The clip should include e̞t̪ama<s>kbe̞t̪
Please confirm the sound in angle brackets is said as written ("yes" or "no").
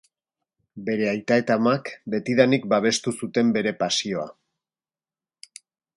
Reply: no